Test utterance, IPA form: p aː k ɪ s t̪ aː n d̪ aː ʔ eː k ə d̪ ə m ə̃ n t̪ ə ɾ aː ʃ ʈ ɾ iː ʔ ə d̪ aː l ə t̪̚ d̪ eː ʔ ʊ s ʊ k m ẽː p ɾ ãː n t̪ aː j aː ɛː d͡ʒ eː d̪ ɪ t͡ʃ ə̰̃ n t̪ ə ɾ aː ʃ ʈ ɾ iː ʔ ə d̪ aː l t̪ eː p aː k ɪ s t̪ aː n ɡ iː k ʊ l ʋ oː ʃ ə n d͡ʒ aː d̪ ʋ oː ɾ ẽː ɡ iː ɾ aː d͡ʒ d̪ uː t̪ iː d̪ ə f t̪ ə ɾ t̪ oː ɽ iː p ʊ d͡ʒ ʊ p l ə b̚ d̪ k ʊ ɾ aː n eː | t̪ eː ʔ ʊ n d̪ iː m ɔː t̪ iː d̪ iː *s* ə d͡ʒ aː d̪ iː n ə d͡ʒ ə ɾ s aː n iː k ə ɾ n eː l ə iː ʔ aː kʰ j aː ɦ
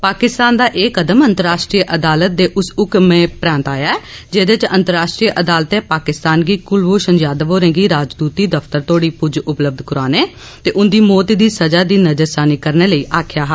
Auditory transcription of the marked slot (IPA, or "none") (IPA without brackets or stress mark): s